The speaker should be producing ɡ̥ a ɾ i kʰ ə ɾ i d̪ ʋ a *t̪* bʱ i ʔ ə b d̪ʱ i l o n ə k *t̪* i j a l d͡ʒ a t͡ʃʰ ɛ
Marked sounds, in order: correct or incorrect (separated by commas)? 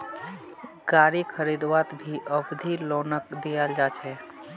correct, incorrect